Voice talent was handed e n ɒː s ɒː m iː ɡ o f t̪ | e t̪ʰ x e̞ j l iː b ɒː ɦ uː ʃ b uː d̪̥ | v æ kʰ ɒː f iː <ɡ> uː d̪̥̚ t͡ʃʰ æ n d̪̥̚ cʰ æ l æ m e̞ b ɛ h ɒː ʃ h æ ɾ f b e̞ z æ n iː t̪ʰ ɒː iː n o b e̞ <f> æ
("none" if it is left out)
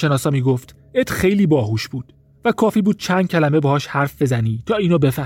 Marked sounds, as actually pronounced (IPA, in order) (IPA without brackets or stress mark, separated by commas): b, f